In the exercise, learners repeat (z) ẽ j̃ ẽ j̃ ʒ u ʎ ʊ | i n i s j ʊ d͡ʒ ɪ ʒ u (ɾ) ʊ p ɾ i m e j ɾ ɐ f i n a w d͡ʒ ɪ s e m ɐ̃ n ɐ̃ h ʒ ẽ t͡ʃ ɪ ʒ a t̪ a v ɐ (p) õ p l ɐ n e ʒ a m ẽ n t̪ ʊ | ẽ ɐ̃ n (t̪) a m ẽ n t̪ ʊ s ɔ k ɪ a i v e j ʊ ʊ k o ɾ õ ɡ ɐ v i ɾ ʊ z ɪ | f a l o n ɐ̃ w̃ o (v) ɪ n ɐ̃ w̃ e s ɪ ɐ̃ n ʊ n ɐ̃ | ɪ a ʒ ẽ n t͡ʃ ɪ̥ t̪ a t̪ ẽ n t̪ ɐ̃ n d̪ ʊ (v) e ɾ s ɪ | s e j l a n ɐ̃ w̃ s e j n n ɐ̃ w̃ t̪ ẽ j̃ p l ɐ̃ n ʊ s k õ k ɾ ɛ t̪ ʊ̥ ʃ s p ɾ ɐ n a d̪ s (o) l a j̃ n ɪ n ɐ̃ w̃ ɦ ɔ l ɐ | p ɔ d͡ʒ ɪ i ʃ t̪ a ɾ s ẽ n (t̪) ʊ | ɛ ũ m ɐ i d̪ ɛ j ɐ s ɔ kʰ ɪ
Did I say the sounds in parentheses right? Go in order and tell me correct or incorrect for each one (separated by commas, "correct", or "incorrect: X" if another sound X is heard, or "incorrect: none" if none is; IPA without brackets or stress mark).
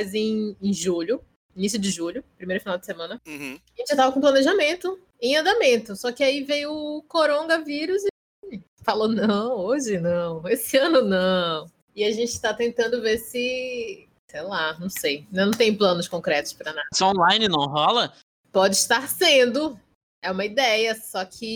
correct, incorrect: ʎ, incorrect: k, incorrect: d̪, incorrect: ʒ, correct, incorrect: õ, incorrect: d̪